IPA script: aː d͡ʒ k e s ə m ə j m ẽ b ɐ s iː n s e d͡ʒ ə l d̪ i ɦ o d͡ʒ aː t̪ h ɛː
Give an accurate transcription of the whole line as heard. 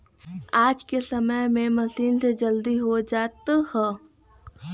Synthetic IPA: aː d͡ʒ k e s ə m ə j m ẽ m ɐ s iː n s e d͡ʒ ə l d̪ i ɦ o d͡ʒ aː t̪ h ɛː

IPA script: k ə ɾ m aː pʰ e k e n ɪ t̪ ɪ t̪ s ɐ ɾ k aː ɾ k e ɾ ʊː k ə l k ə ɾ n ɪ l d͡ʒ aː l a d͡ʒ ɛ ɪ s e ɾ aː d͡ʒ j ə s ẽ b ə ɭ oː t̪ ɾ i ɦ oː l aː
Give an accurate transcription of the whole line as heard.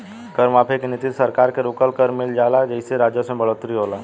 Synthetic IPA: k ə ɾ m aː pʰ e k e n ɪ t̪ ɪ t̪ s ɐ ɾ k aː ɾ k e ɾ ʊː k ə l k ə ɾ m ɪ l d͡ʒ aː l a d͡ʒ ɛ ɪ s e ɾ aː d͡ʒ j ə s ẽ b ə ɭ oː t̪ ɾ i ɦ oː l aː

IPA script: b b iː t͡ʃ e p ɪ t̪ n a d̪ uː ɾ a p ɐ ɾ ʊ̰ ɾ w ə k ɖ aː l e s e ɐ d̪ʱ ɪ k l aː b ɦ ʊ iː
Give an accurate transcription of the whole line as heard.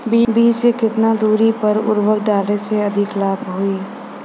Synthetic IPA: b b iː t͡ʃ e k ɪ t̪ n a d̪ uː ɾ i p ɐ ɾ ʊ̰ ɾ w ə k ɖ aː l e s e ɐ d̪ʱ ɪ k l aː b ɦ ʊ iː

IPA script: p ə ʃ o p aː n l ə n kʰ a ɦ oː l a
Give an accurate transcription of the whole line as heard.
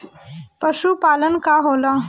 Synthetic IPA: p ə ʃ u p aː l ə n k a ɦ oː l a

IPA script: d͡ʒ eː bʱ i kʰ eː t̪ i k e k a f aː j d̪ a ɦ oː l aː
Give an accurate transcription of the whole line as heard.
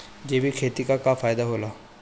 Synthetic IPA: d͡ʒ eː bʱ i kʰ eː t̪ i k a k a f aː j d̪ a ɦ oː l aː

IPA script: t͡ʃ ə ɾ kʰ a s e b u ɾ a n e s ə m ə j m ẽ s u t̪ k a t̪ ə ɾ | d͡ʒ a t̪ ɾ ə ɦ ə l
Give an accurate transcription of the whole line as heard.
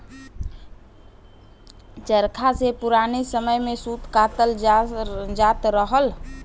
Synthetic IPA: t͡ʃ ə ɾ kʰ a s e p u ɾ a n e s ə m ə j m e s u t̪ k a t̪ ə l | d͡ʒ a t̪ ɾ ə ɦ ə l

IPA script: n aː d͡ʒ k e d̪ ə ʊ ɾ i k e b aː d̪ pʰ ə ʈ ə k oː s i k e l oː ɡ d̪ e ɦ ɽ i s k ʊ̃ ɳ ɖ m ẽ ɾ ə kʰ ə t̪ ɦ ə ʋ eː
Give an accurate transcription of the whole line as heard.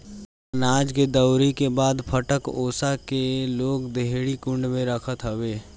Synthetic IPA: n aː d͡ʒ k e d̪ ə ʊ ɾ i k e b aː d̪ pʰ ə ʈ ə k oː s a k e l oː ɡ d̪ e ɦ ɽ i k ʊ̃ ɳ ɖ m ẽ ɾ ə kʰ ə t̪ ɦ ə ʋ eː

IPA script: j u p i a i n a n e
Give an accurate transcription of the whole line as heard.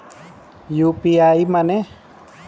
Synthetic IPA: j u p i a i m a n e

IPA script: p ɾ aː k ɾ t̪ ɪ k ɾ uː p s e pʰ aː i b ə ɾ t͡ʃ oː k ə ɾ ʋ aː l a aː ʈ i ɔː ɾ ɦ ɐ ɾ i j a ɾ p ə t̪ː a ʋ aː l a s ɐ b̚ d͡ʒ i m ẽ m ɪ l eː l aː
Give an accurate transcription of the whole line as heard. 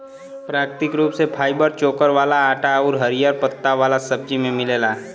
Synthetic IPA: p ɾ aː k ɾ t̪ ɪ k ɾ uː p s e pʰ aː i b ə ɾ t͡ʃ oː k ə ɾ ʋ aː l a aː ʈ a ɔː ɾ ɦ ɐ ɾ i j a ɾ p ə t̪ː a ʋ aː l a s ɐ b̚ d͡ʒ i m ẽ m ɪ l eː l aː

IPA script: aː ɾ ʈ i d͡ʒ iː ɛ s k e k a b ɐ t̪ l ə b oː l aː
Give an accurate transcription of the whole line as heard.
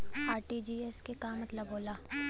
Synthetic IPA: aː ɾ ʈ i d͡ʒ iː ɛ s k e k a m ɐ t̪ l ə b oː l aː

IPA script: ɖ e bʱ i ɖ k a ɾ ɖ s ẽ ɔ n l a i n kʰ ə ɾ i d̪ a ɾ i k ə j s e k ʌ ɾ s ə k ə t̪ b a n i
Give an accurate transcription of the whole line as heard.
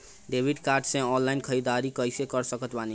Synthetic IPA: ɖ e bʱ i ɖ k a ɾ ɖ s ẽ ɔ n l a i n kʰ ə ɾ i d̪ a ɾ i k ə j s e k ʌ ɾ s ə k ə t̪ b a n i

